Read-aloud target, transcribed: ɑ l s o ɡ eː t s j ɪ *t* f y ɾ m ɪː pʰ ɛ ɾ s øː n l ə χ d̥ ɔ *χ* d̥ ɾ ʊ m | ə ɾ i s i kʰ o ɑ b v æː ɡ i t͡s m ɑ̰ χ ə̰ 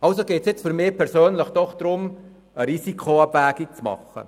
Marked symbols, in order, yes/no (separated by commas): no, yes